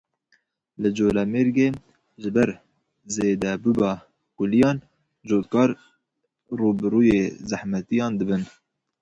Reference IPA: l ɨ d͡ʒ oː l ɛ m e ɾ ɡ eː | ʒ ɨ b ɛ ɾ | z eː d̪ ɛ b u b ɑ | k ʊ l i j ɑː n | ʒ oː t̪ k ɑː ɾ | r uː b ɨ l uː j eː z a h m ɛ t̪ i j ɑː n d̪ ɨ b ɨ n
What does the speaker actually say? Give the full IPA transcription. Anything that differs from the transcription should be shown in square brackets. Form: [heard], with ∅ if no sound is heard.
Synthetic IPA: l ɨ d͡ʒ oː l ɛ m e ɾ ɡ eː | ʒ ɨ b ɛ ɾ | z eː d̪ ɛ b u b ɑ | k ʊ l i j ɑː n | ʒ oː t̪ k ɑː ɾ | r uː b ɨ [ɾ] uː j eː z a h m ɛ t̪ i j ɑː n d̪ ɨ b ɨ n